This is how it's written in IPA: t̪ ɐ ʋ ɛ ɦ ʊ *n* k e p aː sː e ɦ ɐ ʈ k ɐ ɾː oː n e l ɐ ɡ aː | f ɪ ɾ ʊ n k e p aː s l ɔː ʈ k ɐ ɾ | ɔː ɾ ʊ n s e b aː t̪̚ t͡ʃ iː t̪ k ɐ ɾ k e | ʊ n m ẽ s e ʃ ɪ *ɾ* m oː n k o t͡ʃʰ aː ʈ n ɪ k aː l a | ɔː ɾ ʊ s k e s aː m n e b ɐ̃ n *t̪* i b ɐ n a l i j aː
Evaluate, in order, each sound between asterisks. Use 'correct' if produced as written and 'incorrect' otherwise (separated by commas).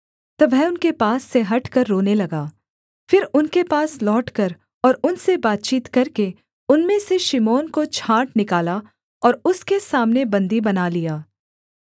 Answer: correct, incorrect, incorrect